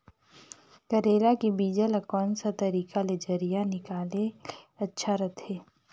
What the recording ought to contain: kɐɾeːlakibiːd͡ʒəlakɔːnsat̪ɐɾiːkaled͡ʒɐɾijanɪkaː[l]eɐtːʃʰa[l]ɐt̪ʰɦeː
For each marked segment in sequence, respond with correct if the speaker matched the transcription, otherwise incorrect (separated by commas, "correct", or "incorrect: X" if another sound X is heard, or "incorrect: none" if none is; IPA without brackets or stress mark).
correct, incorrect: ɾ